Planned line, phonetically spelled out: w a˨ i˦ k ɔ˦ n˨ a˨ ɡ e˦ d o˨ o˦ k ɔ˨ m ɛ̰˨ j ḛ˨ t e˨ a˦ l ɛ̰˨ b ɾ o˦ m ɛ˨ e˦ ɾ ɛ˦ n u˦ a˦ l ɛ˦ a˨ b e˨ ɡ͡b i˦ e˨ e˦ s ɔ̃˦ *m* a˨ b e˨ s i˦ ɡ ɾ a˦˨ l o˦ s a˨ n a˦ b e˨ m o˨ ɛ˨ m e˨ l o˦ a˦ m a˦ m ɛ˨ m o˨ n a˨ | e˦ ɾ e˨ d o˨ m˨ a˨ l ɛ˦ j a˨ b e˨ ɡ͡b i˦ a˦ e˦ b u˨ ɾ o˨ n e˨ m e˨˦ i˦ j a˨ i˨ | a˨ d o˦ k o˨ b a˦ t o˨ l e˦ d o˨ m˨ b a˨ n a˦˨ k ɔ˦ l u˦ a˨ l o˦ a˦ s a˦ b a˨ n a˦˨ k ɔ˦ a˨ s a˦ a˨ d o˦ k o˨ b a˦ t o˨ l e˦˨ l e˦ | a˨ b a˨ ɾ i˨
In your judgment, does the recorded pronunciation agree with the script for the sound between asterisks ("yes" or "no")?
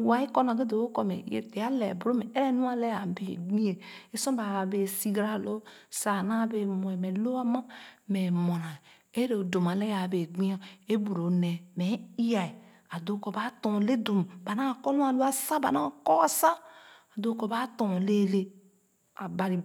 no